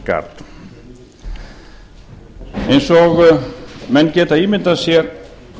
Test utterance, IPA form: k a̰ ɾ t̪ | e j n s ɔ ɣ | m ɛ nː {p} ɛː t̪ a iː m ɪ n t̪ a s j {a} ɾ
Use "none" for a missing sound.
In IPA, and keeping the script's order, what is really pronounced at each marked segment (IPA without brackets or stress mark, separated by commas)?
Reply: c, ɛ